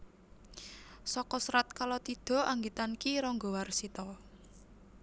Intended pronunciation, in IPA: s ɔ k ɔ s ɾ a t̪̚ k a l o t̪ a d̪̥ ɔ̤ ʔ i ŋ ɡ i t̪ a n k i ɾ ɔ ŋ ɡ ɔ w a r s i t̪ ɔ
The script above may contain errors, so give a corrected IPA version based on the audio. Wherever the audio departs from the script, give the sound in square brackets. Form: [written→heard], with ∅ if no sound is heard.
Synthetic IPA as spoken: s ɔ k ɔ s ɾ a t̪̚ k a l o t̪ [a→i] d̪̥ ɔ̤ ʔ [i→a] ŋ ɡ i t̪ a n k i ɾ ɔ ŋ ɡ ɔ w a r s i t̪ ɔ